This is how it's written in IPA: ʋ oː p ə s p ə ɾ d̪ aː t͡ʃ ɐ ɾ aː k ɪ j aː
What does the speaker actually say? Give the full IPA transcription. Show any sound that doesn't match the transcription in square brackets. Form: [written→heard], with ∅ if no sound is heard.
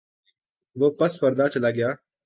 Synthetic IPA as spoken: ʋ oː p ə s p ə ɾ d̪ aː t͡ʃ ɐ [ɾ→l] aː [k→ɡ] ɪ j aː